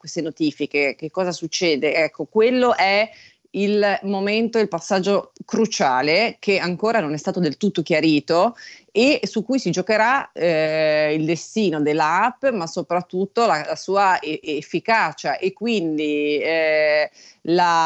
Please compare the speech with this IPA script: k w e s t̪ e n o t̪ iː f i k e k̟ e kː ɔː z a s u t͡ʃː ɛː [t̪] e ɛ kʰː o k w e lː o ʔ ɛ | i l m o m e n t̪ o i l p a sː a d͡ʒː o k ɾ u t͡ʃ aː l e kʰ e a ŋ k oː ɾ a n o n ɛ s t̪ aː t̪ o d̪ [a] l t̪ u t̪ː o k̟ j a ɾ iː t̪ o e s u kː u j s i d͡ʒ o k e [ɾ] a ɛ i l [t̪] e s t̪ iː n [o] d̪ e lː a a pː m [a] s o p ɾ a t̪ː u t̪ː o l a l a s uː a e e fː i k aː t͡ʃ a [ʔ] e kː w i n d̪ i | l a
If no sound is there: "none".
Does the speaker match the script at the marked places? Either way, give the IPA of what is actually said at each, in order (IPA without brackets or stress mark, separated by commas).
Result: d̪, e, ɾ, d̪, o, a, ʔ